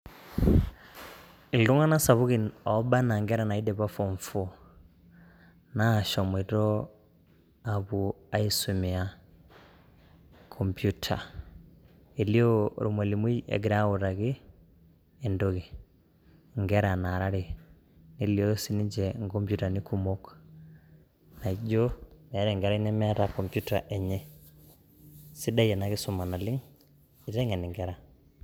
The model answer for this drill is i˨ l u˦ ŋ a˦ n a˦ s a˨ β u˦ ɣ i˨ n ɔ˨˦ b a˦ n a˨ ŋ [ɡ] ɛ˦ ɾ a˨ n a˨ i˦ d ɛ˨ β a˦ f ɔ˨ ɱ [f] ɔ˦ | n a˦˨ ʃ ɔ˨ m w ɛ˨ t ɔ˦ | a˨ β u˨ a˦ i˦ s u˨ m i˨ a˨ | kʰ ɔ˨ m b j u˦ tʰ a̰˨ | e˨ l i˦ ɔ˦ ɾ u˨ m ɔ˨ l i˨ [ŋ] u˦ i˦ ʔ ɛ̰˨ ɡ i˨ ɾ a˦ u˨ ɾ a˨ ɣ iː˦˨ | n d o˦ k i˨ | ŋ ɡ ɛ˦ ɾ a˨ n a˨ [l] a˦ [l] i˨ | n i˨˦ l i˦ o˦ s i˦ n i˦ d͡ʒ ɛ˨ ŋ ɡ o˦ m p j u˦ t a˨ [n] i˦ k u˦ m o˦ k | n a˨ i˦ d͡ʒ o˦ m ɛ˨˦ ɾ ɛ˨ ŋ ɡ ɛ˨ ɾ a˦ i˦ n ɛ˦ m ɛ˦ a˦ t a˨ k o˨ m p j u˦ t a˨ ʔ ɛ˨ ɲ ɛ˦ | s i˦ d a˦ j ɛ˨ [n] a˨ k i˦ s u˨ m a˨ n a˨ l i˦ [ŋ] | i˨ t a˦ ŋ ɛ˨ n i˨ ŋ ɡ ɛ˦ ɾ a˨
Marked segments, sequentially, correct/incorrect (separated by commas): correct, correct, incorrect, incorrect, incorrect, correct, correct, correct